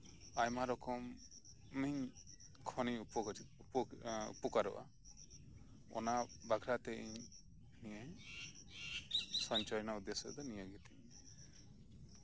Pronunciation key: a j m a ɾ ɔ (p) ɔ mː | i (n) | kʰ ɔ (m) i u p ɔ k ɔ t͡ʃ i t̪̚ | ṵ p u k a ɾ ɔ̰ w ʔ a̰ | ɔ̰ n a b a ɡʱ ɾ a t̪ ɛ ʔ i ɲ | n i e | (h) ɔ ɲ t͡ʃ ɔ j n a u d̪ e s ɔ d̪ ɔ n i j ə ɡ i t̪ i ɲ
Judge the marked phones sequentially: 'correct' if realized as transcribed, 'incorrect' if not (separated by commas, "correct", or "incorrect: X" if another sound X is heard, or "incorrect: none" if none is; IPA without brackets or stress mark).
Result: incorrect: k, incorrect: ɲ, incorrect: n, incorrect: s